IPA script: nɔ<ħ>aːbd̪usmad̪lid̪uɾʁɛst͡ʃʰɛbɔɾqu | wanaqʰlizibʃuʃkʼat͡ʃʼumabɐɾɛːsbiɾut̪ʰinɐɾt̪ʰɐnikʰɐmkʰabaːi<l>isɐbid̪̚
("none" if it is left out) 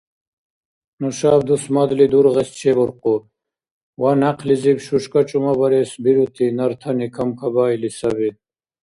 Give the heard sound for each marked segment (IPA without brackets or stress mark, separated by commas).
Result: ʃ, l